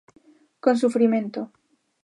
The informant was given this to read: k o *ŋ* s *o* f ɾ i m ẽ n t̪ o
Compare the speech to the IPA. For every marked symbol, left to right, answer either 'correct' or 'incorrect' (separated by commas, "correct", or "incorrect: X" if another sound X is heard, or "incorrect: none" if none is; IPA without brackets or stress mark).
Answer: incorrect: n, incorrect: u